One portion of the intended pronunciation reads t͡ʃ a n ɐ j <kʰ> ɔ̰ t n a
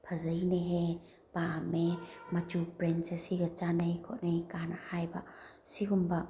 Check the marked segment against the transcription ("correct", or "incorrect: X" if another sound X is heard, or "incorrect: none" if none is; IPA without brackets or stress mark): correct